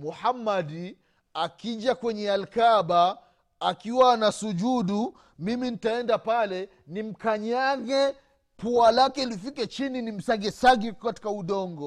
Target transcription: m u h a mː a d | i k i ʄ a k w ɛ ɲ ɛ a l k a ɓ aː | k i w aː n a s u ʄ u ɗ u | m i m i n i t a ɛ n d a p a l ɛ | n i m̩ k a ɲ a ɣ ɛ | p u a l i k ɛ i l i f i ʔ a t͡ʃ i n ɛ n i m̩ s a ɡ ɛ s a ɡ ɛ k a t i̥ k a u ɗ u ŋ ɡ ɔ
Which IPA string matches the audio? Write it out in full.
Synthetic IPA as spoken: m u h a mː a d | a k i ʄ a k w ɛ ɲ ɛ a l k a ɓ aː | k i w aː n a s u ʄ u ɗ u | m i m i n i t a ɛ n d a p a l ɛ | n i m̩ k a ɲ a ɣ ɛ | p u a l a k ɛ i l i f i k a t͡ʃ i n i n i m̩ s a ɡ ɛ s a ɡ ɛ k a t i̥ k a u ɗ ɔ ŋ ɡ ɔ